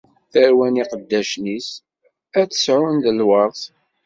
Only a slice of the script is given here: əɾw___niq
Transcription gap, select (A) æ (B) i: A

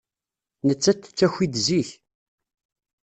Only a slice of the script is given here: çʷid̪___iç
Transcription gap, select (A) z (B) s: A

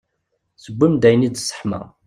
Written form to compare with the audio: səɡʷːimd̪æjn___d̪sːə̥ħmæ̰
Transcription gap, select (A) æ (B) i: B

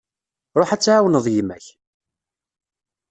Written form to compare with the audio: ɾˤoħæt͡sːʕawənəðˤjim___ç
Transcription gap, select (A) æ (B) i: A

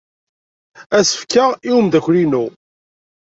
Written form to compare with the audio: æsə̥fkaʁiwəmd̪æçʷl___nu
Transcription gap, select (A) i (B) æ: A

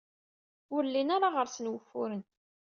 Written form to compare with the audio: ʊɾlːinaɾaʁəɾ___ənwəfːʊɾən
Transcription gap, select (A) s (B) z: A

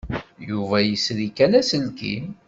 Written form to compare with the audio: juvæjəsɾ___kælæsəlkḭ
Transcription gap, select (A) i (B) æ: A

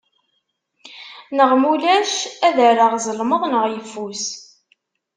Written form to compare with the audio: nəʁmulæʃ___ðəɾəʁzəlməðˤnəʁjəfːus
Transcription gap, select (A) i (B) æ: B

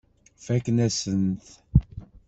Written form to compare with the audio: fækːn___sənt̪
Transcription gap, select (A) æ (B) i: A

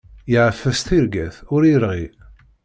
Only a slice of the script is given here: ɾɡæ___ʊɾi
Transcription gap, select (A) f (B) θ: B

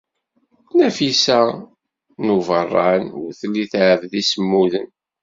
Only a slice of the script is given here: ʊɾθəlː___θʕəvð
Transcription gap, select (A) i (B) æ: A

